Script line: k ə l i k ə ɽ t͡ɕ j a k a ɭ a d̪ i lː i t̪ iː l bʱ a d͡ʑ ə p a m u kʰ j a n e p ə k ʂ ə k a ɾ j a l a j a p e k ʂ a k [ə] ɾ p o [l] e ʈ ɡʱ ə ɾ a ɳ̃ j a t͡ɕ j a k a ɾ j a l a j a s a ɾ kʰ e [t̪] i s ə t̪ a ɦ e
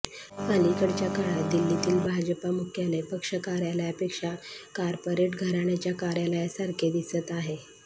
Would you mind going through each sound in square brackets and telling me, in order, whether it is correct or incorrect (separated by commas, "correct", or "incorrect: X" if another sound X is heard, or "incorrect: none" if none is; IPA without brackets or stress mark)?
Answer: incorrect: a, incorrect: ɾ, incorrect: d̪